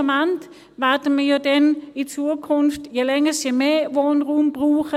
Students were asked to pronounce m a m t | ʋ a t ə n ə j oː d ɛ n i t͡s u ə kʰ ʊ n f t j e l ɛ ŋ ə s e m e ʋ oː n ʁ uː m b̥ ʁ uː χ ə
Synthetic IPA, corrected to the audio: m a n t | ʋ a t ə m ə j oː d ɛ n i t͡s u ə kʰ ʊ n f t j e l ɛ ŋ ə s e m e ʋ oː n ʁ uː m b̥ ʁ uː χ ə